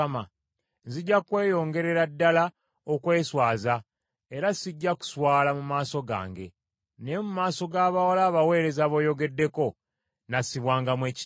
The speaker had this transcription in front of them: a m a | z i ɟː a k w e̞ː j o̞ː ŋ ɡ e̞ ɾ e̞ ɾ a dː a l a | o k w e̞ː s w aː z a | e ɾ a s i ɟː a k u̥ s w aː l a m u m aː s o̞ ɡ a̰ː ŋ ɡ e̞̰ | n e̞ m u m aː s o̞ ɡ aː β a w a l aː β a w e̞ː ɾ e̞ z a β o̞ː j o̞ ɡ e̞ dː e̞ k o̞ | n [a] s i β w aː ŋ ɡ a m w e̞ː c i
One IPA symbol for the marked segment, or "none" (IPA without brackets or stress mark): a